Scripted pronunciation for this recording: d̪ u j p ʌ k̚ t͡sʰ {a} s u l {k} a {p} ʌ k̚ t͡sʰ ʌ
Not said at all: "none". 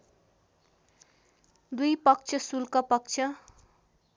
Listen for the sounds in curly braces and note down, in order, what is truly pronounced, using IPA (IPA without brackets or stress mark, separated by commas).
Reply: ʌ, k, p